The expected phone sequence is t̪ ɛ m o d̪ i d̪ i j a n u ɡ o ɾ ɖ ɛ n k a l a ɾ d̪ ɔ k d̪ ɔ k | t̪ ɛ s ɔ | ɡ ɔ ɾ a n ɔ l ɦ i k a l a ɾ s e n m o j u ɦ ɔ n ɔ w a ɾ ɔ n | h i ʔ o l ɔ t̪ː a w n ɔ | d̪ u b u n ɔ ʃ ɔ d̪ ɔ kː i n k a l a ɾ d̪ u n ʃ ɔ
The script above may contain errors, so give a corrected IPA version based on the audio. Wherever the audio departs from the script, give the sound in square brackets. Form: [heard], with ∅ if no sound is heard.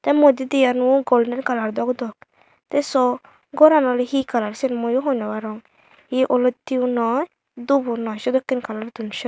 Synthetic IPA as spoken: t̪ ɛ m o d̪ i d̪ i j a n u ɡ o [l] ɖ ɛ n k a l a ɾ d̪ ɔ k d̪ ɔ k | t̪ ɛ s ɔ | ɡ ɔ ɾ a n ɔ l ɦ i k a l a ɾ s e n m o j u ɦ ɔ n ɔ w a ɾ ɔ [ŋ] | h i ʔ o l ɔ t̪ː [i] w n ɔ | d̪ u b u n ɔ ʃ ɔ d̪ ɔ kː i n k a l a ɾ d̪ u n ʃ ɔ